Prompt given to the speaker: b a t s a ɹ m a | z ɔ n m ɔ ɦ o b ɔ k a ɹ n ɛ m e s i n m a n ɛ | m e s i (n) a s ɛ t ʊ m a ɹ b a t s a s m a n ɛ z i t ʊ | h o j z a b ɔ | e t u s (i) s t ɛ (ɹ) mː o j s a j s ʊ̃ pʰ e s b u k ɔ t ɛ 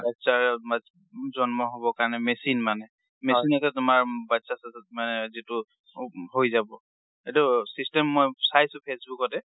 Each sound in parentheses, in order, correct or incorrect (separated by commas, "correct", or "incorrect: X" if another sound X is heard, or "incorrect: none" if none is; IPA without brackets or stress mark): correct, correct, incorrect: none